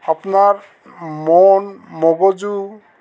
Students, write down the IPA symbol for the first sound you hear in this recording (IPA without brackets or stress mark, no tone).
a